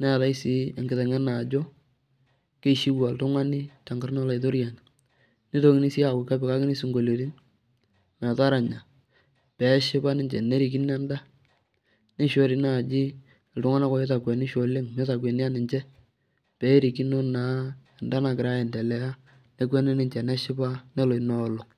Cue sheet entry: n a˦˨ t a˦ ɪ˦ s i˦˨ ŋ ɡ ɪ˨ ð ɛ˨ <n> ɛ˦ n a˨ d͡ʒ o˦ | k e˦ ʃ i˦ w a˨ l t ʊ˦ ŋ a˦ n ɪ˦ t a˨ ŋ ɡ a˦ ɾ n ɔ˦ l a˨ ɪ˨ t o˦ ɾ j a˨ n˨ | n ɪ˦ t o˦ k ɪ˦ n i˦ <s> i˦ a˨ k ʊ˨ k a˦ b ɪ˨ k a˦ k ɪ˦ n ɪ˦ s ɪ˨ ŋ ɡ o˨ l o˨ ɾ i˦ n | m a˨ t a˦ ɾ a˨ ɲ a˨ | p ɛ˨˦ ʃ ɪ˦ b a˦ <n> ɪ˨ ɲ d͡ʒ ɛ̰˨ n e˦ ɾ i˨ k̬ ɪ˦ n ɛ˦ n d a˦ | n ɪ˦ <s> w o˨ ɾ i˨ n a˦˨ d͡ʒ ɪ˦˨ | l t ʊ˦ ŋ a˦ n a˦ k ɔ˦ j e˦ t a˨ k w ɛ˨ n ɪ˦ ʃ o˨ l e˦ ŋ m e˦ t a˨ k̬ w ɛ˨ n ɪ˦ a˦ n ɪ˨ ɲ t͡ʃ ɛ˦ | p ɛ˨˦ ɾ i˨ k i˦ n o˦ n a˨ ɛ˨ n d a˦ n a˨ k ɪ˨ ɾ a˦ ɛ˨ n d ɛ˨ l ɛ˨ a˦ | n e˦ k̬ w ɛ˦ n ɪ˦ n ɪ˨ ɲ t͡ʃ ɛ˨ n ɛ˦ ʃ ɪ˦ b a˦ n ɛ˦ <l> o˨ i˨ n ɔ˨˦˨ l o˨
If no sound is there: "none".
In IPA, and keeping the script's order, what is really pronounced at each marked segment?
ŋ, s, n, ʃ, l

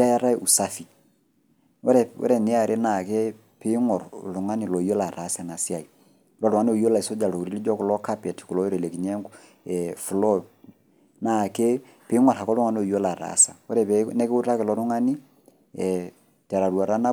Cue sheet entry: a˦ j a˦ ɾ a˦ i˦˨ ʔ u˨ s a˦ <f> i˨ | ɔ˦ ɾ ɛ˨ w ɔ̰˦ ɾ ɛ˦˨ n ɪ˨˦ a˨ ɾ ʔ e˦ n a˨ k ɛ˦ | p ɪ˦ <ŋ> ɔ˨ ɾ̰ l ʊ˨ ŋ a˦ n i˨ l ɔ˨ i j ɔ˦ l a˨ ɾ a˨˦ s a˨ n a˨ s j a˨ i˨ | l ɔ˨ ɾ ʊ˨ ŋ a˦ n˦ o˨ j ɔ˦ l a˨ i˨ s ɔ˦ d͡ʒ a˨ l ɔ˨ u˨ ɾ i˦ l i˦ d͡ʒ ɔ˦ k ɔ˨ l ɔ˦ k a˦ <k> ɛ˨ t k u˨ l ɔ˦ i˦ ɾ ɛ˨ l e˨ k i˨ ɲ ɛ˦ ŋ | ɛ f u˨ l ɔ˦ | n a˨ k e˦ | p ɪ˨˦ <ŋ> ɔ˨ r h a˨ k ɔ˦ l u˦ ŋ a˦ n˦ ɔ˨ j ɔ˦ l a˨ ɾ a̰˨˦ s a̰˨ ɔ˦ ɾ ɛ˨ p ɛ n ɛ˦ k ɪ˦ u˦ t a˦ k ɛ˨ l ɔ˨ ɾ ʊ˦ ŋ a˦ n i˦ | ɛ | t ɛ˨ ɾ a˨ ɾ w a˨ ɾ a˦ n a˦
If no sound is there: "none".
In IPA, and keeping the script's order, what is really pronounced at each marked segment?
f, ŋ, p, ŋ

